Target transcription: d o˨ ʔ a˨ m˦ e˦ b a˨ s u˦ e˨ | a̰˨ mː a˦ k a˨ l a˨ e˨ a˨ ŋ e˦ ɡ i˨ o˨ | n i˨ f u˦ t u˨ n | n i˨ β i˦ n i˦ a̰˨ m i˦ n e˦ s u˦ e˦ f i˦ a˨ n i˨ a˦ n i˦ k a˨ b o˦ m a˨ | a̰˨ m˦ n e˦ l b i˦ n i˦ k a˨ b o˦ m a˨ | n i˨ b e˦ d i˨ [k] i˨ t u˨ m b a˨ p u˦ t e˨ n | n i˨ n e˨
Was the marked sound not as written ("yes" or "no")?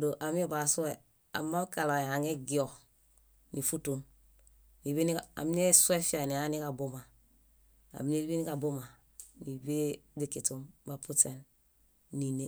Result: no